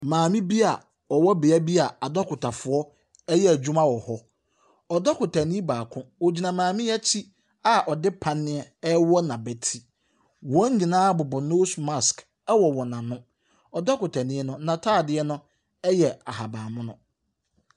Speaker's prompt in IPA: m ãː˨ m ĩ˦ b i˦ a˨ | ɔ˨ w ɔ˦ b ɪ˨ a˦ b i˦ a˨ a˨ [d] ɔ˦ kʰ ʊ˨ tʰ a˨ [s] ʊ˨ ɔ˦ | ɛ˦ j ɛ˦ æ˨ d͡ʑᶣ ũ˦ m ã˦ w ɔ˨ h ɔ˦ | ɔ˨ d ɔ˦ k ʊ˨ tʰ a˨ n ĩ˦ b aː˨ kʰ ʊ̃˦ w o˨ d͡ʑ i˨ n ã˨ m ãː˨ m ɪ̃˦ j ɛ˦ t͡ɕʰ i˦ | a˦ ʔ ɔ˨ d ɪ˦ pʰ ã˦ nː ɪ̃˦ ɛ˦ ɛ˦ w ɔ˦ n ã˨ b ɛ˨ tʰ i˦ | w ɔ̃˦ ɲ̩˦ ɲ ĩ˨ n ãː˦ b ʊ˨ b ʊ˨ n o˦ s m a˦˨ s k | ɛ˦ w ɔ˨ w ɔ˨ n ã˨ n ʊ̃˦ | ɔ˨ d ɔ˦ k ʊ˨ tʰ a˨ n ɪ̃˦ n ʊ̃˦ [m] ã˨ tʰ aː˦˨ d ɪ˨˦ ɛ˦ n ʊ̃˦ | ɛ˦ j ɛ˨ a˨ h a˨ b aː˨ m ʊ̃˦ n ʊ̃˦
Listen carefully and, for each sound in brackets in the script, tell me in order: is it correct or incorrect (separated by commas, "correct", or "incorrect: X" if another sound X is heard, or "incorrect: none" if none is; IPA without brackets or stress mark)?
correct, incorrect: f, incorrect: n